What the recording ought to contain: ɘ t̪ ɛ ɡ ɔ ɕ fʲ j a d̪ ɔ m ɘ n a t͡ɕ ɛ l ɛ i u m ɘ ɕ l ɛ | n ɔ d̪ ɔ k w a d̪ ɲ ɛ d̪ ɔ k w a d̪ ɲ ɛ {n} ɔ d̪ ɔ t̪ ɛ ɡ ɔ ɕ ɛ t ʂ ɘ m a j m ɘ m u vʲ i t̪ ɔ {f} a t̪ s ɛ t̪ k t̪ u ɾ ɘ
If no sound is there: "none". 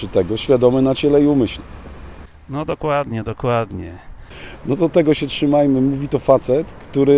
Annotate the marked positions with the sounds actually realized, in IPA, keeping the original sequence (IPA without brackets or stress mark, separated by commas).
n, f